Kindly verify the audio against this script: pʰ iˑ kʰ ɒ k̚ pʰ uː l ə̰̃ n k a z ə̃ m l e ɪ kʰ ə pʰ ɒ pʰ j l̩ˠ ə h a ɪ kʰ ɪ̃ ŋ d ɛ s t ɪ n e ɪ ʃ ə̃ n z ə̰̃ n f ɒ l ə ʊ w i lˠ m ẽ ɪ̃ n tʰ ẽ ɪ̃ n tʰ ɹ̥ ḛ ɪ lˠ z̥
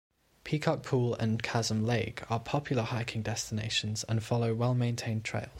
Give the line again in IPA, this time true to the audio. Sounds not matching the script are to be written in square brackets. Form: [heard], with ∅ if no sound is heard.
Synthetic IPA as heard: pʰ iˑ kʰ ɒ k̚ pʰ uː l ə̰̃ n [kʰ] a z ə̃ m l e ɪ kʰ ə pʰ ɒ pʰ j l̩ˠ ə h a ɪ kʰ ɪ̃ ŋ d ɛ s t ɪ n e ɪ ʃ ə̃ n z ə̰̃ n f ɒ l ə ʊ w [ɛ] lˠ m ẽ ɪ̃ n tʰ ẽ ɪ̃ n tʰ ɹ̥ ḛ ɪ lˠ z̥